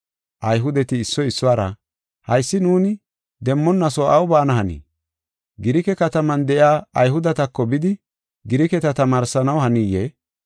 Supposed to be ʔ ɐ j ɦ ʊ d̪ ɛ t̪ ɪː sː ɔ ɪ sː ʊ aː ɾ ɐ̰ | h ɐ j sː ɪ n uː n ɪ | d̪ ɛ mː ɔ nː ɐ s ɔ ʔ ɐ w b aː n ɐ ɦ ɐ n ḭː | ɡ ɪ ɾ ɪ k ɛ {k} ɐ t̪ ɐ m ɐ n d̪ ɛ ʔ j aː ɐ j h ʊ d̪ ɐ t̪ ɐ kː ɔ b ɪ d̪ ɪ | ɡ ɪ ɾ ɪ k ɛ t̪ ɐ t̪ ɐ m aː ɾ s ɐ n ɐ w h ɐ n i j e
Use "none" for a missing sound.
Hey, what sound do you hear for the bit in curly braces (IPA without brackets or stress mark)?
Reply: k